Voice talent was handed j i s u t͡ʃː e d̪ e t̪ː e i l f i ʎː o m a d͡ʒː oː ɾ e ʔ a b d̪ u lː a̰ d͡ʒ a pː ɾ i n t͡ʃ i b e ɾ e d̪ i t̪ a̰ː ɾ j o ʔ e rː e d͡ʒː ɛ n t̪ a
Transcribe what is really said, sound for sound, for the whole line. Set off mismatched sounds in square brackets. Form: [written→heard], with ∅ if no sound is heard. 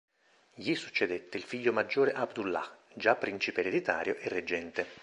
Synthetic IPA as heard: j i s u t͡ʃː e d̪ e t̪ː e i l f i ʎː o m a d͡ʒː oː ɾ e ʔ a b d̪ u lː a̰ d͡ʒ a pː ɾ i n t͡ʃ i [b→p] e ɾ e d̪ i t̪ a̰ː ɾ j o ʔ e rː e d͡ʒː ɛ n t̪ [a→e]